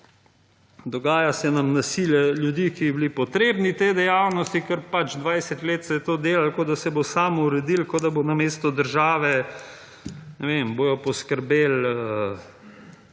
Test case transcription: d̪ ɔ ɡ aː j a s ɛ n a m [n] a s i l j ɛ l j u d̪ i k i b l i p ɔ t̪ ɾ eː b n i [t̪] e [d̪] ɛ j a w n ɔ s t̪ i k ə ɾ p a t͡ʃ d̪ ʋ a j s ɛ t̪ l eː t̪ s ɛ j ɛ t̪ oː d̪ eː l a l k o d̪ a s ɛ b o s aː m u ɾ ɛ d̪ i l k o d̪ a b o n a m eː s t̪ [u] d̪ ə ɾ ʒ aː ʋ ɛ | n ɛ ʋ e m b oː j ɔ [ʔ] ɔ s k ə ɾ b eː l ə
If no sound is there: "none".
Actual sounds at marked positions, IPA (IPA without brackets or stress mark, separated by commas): n, t̪, d̪, ɔ, p